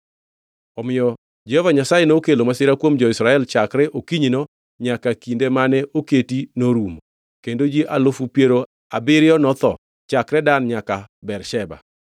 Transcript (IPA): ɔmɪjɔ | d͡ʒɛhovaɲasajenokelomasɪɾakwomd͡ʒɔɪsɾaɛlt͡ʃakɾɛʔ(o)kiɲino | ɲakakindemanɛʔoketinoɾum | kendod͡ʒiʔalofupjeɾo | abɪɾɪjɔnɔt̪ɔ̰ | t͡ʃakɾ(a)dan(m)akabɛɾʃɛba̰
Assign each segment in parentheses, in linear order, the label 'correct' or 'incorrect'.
correct, incorrect: ɛ, incorrect: ɲ

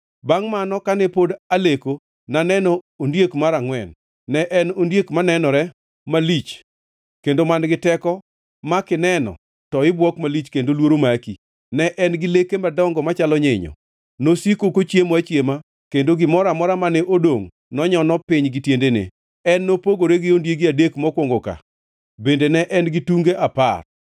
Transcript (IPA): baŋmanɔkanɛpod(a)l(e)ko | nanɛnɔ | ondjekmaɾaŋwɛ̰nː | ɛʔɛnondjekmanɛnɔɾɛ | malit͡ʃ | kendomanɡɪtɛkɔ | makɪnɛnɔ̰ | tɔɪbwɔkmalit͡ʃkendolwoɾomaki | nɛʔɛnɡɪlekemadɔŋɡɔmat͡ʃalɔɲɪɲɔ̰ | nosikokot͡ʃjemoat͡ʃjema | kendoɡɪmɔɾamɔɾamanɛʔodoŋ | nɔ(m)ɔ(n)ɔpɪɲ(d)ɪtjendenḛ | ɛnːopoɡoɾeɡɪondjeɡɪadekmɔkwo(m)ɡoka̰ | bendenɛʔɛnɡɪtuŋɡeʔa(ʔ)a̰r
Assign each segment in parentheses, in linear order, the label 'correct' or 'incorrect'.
correct, correct, incorrect: ɲ, correct, incorrect: ɡ, incorrect: ŋ, incorrect: p

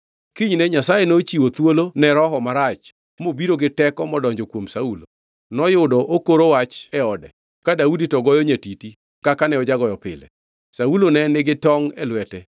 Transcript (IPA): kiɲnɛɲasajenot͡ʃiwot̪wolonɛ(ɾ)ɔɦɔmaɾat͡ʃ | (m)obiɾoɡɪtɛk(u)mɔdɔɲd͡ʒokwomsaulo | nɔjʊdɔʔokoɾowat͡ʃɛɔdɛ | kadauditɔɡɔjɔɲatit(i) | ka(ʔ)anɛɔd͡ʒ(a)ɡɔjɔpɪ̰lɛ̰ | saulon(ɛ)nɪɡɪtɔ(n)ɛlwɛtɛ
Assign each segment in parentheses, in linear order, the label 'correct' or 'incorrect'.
correct, correct, incorrect: ɔ, correct, incorrect: k, correct, correct, incorrect: ŋ

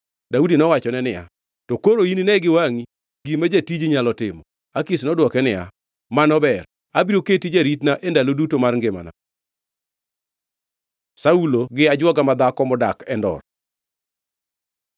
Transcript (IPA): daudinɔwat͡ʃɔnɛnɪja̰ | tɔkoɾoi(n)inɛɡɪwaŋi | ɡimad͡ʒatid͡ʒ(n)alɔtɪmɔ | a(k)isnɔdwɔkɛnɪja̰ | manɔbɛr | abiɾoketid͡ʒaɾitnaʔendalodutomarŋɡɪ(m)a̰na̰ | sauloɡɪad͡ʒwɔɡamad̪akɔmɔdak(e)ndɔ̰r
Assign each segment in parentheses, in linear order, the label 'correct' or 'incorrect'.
correct, incorrect: ɲ, correct, correct, incorrect: ɛ

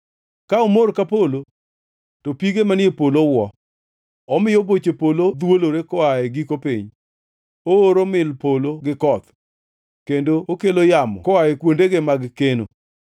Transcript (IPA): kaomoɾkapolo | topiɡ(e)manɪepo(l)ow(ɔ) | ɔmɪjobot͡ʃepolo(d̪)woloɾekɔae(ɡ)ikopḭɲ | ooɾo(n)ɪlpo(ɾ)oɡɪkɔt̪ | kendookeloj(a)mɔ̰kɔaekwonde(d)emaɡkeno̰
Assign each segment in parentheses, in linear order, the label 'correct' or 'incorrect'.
correct, correct, correct, correct, correct, incorrect: m, incorrect: l, correct, incorrect: ɡ

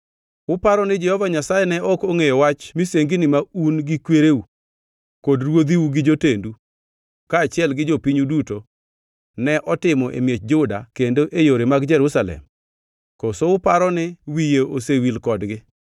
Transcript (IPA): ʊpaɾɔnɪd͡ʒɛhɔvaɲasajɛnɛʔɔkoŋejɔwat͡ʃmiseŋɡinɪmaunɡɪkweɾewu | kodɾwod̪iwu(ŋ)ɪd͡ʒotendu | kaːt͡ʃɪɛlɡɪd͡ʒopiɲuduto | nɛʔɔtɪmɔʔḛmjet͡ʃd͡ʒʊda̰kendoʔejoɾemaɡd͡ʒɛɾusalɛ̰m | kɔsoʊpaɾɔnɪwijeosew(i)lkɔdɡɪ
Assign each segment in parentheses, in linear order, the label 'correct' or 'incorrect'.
incorrect: ɡ, correct

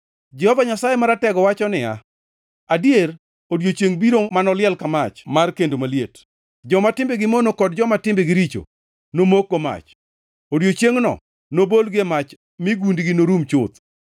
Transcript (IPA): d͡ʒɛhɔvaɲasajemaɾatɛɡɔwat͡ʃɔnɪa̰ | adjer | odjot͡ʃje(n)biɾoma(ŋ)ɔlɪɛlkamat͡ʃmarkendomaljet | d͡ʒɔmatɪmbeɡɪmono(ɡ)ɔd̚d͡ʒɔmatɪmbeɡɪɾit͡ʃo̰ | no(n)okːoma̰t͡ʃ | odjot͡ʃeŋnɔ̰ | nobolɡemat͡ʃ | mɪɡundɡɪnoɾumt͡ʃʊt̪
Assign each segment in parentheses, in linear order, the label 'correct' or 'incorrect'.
incorrect: ŋ, incorrect: n, incorrect: k, incorrect: m

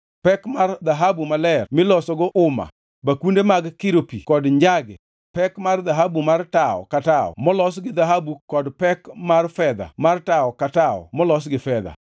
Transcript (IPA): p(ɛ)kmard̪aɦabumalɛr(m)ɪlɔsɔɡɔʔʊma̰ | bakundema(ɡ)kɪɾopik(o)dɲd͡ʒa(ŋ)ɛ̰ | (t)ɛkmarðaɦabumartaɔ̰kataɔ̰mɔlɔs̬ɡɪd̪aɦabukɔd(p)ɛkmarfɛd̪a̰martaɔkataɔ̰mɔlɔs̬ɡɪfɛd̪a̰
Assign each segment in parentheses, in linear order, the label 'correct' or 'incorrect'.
correct, correct, correct, incorrect: ɔ, incorrect: ɡ, incorrect: p, correct

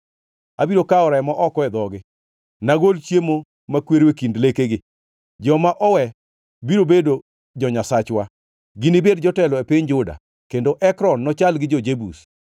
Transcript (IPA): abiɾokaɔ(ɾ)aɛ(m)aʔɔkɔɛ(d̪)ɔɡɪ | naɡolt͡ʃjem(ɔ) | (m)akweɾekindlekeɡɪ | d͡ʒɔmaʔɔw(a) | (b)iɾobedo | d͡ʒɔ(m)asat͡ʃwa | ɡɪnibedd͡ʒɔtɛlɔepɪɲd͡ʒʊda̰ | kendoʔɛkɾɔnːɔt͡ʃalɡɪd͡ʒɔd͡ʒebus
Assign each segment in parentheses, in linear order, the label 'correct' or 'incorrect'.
correct, correct, correct, incorrect: o, correct, incorrect: ɛ, correct, incorrect: ɲ

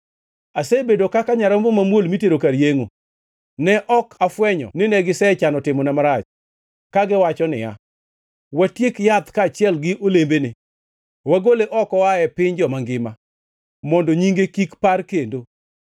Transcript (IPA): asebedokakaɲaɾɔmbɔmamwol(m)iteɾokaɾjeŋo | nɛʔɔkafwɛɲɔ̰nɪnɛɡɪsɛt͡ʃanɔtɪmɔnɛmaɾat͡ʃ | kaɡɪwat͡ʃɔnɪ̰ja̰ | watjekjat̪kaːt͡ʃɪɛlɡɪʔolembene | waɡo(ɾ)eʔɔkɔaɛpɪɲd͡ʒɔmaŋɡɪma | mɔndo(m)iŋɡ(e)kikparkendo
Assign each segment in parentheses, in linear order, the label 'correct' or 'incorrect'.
correct, incorrect: l, incorrect: ɲ, correct

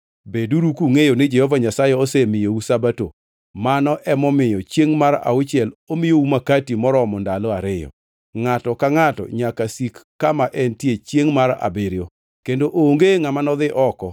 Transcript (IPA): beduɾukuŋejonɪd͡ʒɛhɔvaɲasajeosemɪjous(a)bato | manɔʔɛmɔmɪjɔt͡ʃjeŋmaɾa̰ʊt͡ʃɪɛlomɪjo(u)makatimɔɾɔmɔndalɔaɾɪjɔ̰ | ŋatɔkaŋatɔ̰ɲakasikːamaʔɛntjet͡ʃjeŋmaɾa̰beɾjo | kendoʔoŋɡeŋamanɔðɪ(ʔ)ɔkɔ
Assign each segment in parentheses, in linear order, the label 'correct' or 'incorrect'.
correct, correct, correct

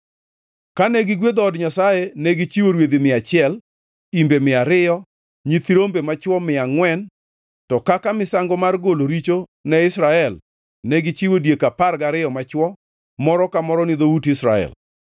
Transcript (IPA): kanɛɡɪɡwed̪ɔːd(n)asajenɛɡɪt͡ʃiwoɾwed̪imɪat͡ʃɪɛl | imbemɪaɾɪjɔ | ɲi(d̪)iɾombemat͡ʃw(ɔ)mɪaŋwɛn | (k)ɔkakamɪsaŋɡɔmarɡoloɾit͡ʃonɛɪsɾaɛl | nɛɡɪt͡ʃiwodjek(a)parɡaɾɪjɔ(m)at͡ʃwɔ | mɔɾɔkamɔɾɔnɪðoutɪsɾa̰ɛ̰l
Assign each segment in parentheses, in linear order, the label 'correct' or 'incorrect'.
incorrect: ɲ, incorrect: t̪, correct, incorrect: t, correct, correct

